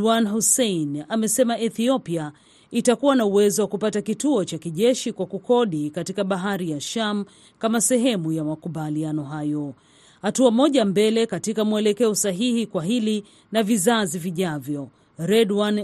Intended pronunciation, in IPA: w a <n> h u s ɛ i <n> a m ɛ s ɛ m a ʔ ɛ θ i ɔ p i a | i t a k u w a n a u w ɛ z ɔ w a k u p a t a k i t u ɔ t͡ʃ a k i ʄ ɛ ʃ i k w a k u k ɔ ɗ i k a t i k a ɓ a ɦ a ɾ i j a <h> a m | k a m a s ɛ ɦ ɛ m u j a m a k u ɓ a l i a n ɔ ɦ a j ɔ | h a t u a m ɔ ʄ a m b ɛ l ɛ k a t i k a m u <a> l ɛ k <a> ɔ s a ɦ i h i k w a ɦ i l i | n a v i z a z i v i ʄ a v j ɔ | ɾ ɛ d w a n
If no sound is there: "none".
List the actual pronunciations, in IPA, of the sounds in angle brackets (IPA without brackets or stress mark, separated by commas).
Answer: n, n, ʃ, ɛ, ɛ